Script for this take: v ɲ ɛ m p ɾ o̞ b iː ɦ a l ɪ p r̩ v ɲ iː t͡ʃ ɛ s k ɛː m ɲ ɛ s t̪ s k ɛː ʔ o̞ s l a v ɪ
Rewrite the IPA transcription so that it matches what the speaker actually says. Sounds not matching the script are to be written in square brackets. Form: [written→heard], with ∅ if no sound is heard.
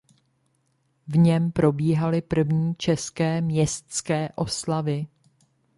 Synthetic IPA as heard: v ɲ ɛ m p ɾ o̞ b iː ɦ a l ɪ p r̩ v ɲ iː t͡ʃ ɛ s k ɛː m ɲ ɛ s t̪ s k ɛː ʔ o̞ s l a v ɪ